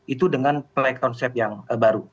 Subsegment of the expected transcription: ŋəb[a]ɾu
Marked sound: correct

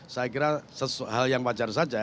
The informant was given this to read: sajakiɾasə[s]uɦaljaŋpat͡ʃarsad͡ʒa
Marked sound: correct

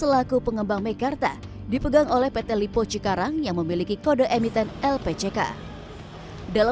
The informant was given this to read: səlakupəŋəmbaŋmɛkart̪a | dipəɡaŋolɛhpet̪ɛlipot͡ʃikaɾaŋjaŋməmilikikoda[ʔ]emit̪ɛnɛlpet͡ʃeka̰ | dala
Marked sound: correct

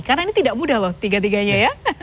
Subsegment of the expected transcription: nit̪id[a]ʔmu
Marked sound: correct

